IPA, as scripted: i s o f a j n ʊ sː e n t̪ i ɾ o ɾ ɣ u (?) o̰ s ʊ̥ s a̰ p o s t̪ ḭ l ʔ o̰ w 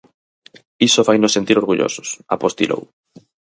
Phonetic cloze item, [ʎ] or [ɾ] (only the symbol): ʎ